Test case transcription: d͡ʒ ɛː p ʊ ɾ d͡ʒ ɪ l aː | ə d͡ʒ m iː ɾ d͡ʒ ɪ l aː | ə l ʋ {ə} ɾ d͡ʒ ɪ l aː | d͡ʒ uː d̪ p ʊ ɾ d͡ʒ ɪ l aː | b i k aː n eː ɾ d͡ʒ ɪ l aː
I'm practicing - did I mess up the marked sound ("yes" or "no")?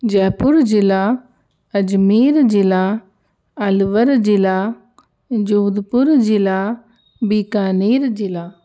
no